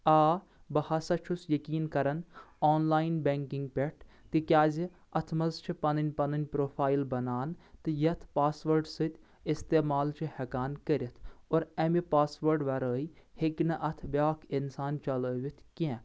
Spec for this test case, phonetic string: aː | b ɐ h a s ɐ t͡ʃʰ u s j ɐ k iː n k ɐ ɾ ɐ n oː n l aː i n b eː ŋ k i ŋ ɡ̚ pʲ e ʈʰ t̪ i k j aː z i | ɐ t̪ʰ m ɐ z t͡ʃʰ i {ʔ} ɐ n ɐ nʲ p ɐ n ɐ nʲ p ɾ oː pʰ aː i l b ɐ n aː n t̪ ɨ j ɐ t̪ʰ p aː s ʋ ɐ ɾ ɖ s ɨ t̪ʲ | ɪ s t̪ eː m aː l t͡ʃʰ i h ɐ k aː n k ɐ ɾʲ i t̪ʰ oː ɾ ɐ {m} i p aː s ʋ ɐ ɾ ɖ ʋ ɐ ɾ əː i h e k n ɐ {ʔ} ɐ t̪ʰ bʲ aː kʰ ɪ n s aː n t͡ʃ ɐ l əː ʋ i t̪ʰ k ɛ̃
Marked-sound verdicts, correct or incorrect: incorrect: p, correct, correct

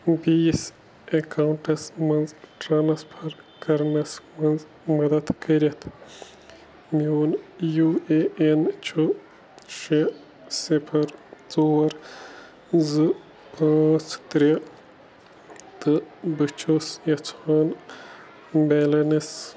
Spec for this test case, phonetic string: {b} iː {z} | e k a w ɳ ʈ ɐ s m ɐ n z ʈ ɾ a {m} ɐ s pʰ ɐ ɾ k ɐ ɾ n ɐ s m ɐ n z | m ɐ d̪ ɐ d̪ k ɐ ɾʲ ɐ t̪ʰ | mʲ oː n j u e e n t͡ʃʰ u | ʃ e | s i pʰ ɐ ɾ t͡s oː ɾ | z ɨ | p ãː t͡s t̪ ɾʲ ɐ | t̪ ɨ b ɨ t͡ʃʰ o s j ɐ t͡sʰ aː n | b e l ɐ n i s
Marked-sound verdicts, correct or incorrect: correct, incorrect: s, incorrect: n

